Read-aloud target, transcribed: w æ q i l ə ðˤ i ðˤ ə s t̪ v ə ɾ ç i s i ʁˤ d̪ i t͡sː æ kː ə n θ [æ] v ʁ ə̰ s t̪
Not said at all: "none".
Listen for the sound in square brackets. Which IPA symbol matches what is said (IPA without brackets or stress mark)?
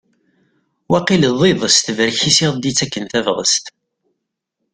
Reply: æ